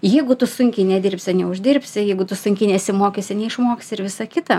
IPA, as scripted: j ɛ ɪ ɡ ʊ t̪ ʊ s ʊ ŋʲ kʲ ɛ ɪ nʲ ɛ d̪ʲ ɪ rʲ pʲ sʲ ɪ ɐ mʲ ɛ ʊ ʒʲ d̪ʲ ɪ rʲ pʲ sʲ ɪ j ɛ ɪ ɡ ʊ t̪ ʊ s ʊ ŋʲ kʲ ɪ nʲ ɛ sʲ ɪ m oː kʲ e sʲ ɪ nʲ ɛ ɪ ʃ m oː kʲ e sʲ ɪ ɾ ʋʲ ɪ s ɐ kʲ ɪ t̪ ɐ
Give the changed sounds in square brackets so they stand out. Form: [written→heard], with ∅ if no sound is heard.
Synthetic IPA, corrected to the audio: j ɛ ɪ ɡ ʊ t̪ ʊ s ʊ ŋʲ kʲ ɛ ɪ nʲ ɛ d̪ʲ ɪ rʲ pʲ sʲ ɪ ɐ [mʲ→nʲ] ɛ ʊ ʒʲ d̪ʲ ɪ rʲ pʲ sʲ ɪ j ɛ ɪ ɡ ʊ t̪ ʊ s ʊ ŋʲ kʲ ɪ nʲ ɛ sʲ ɪ m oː kʲ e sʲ ɪ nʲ ɛ ɪ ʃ m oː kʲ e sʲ ɪ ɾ ʋʲ ɪ s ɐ kʲ ɪ t̪ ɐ